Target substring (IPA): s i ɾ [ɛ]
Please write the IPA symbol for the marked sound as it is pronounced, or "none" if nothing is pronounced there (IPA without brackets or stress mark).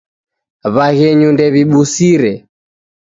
ɛ